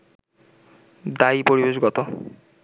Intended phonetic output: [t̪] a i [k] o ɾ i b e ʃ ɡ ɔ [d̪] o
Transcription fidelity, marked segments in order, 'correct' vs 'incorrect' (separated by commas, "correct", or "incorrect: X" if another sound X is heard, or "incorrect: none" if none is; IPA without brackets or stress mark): incorrect: d̪, incorrect: p, incorrect: t̪